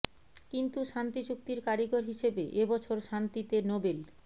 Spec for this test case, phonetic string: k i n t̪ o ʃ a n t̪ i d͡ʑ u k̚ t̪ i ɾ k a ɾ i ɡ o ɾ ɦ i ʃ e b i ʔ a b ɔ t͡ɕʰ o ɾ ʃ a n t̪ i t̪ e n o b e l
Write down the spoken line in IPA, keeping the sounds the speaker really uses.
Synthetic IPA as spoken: k i n t̪ u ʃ a n t̪ i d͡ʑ u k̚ t̪ i ɾ k a ɾ i ɡ o ɾ ɦ i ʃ e b e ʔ e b ɔ t͡ɕʰ o ɾ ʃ a n t̪ i t̪ e n o b e l